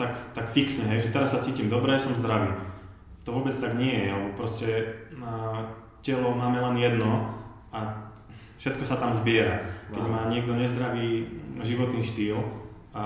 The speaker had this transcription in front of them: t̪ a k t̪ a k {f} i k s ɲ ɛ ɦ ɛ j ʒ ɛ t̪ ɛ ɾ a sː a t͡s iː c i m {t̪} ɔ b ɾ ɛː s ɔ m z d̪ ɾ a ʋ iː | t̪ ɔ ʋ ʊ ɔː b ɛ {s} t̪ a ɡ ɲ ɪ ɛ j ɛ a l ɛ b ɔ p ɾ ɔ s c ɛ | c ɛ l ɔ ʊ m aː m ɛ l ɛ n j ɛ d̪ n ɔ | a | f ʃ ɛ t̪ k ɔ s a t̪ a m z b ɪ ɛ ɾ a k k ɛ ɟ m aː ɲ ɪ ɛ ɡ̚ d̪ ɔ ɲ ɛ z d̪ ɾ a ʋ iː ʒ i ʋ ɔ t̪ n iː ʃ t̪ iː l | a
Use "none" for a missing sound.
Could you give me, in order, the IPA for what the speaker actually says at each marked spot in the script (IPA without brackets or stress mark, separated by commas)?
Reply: f, d̪, t͡s